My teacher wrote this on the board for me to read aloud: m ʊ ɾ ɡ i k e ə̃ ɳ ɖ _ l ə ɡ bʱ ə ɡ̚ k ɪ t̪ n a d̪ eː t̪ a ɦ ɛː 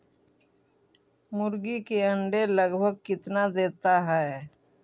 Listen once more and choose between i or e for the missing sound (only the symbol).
e